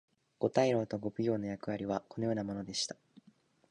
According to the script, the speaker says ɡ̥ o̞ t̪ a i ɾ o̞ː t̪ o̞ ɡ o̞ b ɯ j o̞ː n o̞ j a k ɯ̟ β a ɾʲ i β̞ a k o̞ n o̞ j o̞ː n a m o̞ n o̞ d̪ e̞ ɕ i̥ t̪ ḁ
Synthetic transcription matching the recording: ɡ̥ o̞ t̪ a i ɾ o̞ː t̪ o̞ ɡ o̞ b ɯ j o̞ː n o̞ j a k ɯ̟ β a ɾʲ i β̞ a k o̞ n o̞ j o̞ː n a m o̞ n o̞ d̪ e̞ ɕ i̥ t̪ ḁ